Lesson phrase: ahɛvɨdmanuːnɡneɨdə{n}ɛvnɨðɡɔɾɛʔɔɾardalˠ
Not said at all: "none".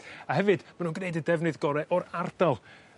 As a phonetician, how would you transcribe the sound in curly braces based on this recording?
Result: d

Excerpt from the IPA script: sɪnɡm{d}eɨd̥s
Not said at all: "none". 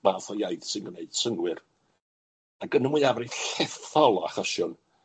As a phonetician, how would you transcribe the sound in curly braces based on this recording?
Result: n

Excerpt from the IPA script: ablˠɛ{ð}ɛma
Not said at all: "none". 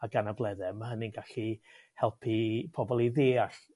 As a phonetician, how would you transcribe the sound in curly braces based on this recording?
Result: ð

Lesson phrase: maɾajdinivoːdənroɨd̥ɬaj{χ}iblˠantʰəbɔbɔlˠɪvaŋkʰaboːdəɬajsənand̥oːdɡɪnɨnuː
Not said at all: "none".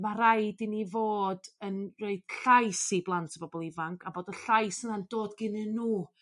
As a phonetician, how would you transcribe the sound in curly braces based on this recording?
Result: s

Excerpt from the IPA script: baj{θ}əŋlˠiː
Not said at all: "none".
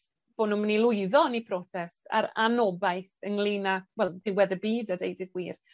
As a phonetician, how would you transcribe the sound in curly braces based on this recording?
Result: θ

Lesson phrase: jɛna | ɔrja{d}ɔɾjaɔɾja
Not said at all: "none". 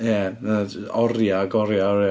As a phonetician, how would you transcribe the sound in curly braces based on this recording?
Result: ɡ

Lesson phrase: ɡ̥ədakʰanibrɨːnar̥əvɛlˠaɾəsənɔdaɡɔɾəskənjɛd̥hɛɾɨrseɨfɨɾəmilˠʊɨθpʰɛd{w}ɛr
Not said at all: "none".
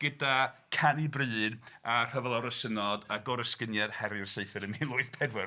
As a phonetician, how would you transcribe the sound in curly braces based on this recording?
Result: w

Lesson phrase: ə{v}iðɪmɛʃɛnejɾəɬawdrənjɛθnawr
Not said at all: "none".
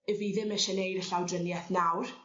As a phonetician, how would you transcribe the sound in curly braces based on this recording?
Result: v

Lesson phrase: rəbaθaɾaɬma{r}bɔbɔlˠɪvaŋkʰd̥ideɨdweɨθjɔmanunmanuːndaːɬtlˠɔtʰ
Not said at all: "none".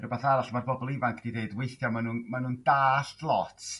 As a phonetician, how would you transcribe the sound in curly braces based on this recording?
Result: r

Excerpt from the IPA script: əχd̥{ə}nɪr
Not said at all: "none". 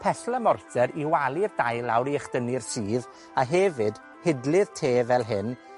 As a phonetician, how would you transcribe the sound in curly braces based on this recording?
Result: ə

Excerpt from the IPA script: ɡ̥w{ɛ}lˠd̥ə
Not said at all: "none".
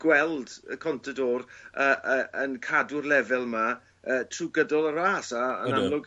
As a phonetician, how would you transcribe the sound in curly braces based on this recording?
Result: ɛ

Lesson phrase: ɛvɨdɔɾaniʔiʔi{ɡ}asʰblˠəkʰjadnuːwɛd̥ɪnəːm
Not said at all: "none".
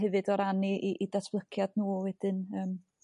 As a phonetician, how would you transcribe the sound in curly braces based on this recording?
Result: d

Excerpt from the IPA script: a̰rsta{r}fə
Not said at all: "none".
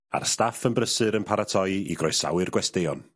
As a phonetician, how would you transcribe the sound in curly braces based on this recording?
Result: none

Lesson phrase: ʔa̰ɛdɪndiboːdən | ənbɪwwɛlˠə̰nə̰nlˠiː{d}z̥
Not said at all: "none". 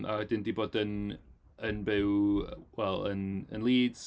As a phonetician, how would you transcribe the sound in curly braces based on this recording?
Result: d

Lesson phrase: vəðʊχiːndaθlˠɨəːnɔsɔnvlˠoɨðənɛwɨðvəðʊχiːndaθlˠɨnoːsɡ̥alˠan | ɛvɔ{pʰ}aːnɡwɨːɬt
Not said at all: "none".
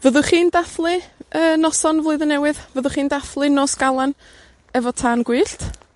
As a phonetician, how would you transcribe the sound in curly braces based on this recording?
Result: tʰ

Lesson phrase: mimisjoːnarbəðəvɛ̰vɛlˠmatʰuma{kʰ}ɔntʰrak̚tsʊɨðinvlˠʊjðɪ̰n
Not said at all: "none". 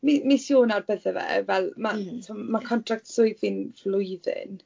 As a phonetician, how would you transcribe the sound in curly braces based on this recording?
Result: kʰ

